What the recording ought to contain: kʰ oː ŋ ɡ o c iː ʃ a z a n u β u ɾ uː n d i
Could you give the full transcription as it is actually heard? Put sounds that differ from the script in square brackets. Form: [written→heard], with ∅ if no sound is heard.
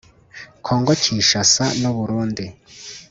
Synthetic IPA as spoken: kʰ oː ŋ ɡ o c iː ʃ a [z→s] a n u β u ɾ uː n d i